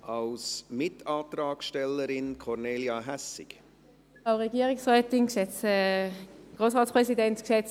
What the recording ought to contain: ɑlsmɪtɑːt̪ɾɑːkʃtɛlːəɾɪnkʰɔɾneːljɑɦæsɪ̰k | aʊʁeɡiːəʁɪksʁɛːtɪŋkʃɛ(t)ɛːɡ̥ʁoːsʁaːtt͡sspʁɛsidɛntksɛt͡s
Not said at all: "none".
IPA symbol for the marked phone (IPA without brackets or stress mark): t͡s